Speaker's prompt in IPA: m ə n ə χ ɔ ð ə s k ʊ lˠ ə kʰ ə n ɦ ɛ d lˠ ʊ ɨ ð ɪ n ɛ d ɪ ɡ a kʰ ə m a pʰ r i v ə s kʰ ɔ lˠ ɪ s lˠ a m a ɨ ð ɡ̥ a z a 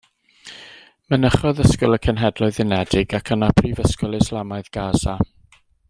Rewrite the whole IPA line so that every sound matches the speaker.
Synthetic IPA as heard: m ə n ə χ ɔ ð ə s k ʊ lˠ ə kʰ ə n ɦ ɛ d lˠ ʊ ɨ ð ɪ n ɛ d ɪ ɡ a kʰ ə n a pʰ r i v ə s k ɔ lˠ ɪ s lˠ a m a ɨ ð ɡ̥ a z a